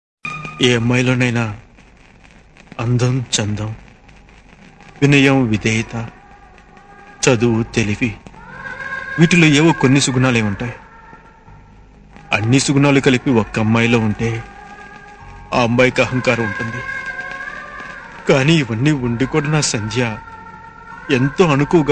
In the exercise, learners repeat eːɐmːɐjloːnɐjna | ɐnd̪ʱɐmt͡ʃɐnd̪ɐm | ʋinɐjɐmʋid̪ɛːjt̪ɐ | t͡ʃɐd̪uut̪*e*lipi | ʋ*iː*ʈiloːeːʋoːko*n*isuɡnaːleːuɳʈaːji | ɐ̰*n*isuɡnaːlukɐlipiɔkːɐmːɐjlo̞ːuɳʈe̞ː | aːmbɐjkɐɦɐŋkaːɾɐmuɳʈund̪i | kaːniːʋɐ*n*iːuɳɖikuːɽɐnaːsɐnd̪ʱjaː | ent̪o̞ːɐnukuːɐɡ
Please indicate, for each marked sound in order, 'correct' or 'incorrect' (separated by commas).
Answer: correct, correct, incorrect, incorrect, incorrect